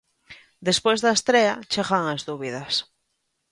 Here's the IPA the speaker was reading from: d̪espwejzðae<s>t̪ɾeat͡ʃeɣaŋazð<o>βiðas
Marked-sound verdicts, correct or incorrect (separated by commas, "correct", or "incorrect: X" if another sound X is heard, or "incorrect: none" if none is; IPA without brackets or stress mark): correct, incorrect: u